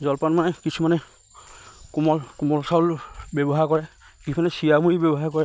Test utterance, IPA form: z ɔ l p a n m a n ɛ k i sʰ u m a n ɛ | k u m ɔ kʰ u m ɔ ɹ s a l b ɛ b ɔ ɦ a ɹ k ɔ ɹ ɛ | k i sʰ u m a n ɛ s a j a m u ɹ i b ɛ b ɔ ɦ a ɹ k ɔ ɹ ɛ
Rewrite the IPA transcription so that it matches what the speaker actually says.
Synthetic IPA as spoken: z ɔ l p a n m a n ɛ k i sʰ u m a n ɛ | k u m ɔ k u m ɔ l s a l b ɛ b ɔ ɦ a ɹ k ɔ ɹ ɛ | k i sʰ u m a n ɛ s i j a m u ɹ i b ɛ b ɔ ɦ a ɹ k ɔ ɹ ɛ